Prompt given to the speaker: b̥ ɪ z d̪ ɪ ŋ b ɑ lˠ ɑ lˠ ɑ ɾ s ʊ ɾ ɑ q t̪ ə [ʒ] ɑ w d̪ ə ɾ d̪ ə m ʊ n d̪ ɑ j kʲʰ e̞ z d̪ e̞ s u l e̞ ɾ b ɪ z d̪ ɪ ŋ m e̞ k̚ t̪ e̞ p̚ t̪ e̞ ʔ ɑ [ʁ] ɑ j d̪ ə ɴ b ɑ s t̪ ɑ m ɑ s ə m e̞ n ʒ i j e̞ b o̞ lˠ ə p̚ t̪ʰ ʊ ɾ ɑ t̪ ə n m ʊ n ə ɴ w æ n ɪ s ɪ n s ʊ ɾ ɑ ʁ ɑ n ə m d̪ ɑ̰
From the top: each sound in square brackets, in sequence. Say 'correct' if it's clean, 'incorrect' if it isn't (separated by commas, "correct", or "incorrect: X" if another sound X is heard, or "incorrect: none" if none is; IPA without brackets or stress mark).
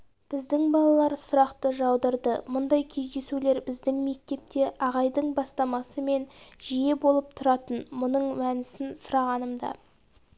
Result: correct, correct